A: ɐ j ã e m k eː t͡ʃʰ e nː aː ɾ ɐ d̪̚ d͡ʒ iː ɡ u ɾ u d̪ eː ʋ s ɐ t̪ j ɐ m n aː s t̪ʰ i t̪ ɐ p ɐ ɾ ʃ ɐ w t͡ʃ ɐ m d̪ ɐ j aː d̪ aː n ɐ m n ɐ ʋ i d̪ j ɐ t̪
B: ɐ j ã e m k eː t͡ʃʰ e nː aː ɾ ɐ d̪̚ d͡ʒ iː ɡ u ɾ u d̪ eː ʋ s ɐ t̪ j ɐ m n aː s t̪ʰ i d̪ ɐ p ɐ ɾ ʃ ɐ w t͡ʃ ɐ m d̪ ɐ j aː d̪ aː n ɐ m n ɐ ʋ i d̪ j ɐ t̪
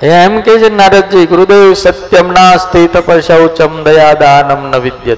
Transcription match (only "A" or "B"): A